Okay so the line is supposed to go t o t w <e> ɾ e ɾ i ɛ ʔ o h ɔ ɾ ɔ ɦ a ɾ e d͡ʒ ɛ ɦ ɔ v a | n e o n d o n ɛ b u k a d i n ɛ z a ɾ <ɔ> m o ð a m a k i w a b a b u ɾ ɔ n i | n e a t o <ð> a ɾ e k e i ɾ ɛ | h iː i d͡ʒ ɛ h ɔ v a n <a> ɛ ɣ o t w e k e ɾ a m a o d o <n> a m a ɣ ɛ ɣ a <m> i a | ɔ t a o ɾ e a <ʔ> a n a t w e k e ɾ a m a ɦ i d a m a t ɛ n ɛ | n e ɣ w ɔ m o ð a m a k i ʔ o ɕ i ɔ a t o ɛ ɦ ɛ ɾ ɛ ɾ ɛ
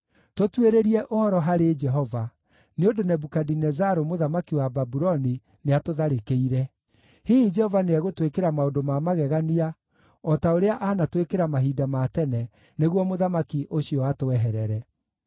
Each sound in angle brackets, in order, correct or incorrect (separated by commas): correct, incorrect, correct, incorrect, incorrect, incorrect, correct